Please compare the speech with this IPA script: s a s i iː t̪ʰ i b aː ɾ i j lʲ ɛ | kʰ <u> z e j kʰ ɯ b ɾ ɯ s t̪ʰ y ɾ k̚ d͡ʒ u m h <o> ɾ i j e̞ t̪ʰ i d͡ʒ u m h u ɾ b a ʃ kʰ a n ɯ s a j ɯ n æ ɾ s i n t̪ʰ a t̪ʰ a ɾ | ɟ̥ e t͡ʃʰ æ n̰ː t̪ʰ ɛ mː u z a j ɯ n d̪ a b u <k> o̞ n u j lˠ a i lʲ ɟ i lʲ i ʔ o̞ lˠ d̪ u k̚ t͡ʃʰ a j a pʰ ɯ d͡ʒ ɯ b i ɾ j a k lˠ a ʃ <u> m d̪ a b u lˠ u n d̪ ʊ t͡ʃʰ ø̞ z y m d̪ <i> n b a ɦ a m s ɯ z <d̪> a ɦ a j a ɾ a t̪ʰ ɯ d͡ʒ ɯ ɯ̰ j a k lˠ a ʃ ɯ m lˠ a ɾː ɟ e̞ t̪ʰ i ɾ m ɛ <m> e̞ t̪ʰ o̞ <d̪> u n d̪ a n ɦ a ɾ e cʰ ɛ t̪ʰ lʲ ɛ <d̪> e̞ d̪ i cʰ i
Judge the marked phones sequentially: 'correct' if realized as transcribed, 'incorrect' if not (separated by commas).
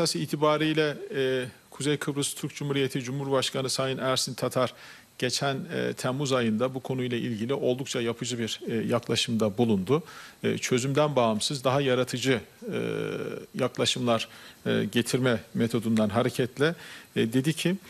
correct, incorrect, incorrect, incorrect, incorrect, correct, correct, correct, correct